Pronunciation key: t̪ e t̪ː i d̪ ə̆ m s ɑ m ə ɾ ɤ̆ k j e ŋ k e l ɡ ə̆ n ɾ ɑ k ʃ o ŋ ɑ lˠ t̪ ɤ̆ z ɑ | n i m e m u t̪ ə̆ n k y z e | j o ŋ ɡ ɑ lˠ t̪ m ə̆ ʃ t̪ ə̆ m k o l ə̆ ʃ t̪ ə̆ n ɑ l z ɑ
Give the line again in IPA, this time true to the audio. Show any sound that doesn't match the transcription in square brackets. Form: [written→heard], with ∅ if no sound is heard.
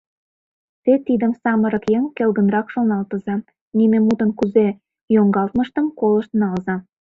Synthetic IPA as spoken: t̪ e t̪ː i d̪ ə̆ m s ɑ m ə ɾ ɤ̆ k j e ŋ k e l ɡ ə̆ n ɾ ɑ k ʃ o [ŋ→n] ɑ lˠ t̪ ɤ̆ z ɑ | n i m e m u t̪ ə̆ n k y z e | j o ŋ ɡ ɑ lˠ t̪ m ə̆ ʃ t̪ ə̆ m k o l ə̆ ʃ t̪ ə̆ n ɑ l z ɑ